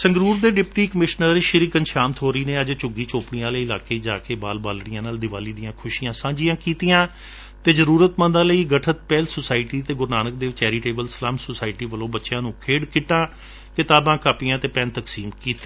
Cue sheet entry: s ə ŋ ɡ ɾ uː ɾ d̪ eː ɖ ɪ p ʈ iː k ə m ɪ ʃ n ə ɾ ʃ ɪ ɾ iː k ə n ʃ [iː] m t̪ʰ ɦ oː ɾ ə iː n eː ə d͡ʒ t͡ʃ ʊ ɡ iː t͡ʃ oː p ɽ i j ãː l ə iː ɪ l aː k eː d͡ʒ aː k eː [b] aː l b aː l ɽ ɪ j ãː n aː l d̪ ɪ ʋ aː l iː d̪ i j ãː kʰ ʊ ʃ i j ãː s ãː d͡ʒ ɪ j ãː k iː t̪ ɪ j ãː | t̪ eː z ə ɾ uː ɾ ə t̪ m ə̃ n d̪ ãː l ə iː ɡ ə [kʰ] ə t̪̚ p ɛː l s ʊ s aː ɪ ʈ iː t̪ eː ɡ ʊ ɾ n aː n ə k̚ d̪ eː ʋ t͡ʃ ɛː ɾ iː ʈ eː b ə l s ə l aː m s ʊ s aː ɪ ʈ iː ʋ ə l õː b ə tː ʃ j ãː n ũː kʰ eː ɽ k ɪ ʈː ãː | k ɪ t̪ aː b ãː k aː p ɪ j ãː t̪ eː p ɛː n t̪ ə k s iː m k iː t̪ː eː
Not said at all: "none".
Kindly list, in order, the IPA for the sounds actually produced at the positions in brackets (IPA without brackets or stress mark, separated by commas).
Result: aː, b, ʈʰ